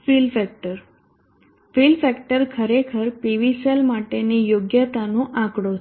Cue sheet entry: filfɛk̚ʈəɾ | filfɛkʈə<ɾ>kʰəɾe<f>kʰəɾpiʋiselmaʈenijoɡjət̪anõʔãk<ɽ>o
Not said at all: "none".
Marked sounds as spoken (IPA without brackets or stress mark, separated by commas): ɾ, none, ɽ